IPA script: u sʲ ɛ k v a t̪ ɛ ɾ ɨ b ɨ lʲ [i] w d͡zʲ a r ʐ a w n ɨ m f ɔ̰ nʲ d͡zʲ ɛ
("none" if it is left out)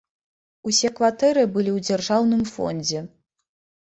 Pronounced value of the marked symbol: i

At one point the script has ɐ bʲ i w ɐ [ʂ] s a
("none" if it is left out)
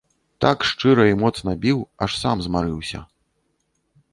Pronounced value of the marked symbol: ʂ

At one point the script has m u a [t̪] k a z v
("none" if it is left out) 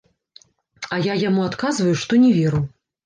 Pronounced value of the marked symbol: t̪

